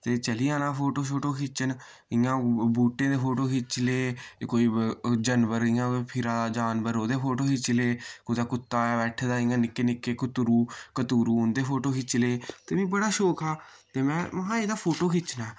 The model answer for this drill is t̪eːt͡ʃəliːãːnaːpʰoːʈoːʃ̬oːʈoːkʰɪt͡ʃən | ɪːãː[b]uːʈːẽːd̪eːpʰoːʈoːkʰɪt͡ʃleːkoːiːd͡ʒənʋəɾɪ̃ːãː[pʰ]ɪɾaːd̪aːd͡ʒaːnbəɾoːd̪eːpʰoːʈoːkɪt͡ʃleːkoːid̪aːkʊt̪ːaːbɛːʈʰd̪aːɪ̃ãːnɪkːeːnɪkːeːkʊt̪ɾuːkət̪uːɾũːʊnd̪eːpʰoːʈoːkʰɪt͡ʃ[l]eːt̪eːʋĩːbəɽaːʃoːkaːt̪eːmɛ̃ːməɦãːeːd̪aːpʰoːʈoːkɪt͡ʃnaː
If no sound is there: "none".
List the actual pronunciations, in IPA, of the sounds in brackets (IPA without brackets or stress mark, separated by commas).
b, pʰ, l